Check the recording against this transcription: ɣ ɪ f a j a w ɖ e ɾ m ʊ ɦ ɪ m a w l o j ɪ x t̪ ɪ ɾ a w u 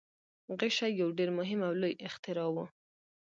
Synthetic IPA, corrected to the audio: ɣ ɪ ʃ a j a w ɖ e ɾ m ʊ ɦ ɪ m a w l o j ɪ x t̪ ɪ ɾ ɑ w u

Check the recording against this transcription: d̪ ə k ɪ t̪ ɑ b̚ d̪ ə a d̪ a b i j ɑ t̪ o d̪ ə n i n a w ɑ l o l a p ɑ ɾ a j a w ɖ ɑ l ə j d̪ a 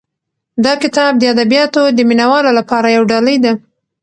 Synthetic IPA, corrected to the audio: d̪ ɑ k ɪ t̪ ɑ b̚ d̪ ə a d̪ a b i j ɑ t̪ o d̪ ə m i n a w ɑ l o l a p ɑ ɾ a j a w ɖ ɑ l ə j d̪ a

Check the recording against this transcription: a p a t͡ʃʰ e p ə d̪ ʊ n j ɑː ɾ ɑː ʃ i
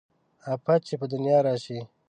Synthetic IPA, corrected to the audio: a p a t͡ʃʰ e p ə d̪ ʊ n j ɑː ɾ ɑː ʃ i

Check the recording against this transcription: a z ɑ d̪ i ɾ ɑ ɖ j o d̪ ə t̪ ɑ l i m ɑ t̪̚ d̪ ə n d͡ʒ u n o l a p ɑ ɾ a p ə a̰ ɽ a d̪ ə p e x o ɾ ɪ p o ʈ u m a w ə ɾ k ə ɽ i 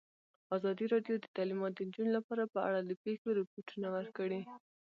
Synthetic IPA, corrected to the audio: a z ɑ d̪ i ɾ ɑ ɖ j o d̪ ə t̪ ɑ l i m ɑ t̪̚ d̪ ə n d͡ʒ u n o l a p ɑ ɾ a p ə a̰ ɽ a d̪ ə p e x o ɾ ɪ p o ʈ u n a w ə ɾ k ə ɽ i

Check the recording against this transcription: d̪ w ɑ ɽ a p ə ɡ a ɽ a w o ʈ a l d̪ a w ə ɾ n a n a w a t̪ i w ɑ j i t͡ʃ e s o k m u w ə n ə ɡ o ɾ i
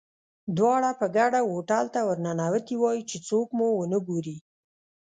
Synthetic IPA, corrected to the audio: d̪ w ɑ ɽ a p ə ɡ a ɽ a w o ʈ a l t̪ a w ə ɾ n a n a w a t̪ i w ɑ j i t͡ʃ e t͡s o k m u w ə n ə ɡ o ɾ i

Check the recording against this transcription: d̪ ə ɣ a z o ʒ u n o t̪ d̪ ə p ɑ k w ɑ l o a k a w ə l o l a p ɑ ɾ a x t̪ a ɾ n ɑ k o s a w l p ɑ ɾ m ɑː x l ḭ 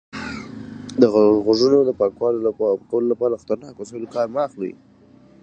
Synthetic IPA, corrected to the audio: d̪ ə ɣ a ɣ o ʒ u n o d̪ ə p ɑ k w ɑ l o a k a w ə l o l a p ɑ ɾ a x t̪ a ɾ n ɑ k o s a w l k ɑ ɾ m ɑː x l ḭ

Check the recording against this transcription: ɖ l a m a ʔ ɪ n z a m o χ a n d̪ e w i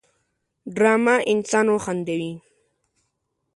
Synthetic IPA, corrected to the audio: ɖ ɾ a m a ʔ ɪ n s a n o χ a n d̪ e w i

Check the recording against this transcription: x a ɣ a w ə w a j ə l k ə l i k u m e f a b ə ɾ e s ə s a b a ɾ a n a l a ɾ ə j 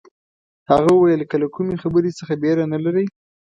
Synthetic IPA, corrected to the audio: h a ɣ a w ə w a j ə l k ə l a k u m e x a b ə ɾ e s ə x a b e ɾ a n a l a ɾ ə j

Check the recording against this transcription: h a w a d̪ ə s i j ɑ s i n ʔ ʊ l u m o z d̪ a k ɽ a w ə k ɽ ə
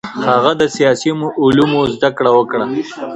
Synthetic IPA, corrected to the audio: h a ɣ a d̪ ə s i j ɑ s i m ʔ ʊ l u m o z d̪ a k ɽ a w ə k ɽ a

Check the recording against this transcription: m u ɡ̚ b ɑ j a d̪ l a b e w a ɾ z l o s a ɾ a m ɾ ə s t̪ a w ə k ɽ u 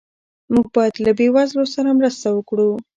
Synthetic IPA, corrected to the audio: m u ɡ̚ b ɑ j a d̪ l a b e w a z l o s a ɾ a m ɾ ə s t̪ a w ə k ɽ u

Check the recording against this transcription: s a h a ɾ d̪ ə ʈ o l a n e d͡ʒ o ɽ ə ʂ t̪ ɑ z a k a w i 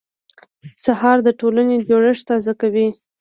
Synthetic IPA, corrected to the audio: s a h ɑ ɾ d̪ ə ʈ o l a n e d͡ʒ o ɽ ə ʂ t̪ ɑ z a k a w i

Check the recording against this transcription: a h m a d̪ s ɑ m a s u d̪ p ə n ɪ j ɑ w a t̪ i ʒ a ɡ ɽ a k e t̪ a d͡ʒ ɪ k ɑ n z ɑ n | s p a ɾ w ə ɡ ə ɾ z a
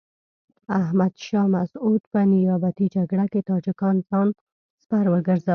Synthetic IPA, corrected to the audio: a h m a d̪ ʃ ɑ m a s u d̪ p ə n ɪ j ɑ b a t̪ i d͡ʒ a ɡ ɽ a k e t̪ ɑ d͡ʒ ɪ k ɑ n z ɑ n | s p a ɾ w ə ɡ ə ɾ z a

